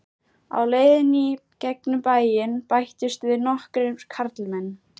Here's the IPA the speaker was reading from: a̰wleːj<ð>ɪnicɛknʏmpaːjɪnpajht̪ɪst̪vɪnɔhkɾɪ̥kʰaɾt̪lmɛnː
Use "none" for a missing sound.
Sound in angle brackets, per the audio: ð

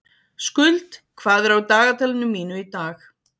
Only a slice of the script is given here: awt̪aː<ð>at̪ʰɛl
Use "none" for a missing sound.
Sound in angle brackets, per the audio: ɣ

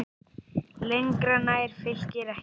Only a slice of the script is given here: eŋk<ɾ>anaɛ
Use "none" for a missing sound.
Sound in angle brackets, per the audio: ɾ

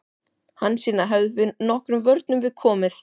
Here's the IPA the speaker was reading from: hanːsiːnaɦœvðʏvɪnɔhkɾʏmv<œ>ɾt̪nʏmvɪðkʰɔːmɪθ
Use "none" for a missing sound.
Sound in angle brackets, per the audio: œ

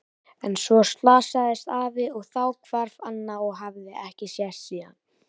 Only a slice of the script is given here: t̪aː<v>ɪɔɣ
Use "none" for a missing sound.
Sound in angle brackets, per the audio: v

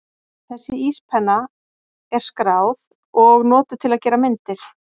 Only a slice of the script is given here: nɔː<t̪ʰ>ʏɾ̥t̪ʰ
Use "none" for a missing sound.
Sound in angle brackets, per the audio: t̪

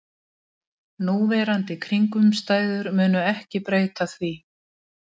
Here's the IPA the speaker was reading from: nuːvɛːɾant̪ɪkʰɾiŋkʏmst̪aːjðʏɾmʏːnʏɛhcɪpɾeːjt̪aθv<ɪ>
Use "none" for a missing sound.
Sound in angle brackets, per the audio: i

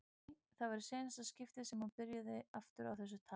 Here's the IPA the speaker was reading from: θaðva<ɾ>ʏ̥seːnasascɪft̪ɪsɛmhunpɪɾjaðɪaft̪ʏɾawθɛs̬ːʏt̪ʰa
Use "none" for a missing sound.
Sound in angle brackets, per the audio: ɾ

